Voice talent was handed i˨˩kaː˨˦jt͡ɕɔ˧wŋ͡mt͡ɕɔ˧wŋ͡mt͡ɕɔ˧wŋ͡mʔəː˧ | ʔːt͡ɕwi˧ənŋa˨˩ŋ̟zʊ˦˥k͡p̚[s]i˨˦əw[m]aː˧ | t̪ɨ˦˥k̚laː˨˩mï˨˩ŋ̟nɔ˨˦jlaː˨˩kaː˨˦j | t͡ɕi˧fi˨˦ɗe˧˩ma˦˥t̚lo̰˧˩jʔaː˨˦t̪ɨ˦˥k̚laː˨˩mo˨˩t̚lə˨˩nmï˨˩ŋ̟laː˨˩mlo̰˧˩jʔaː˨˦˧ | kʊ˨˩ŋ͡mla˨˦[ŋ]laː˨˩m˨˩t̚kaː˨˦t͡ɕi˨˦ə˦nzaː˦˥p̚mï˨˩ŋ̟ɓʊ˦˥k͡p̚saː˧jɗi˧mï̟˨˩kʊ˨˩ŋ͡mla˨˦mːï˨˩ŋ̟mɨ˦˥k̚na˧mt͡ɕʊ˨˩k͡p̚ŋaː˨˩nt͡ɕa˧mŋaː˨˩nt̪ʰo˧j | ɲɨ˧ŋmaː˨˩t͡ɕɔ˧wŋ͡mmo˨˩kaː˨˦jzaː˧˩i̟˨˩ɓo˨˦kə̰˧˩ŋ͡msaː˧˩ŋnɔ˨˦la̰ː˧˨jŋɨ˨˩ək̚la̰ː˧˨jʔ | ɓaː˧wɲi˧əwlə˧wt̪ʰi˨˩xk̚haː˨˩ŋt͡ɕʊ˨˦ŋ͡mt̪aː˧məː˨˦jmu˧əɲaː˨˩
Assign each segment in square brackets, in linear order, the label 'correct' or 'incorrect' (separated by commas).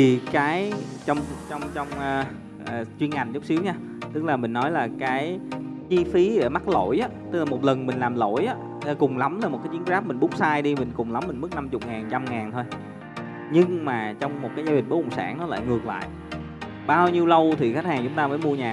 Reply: correct, incorrect, incorrect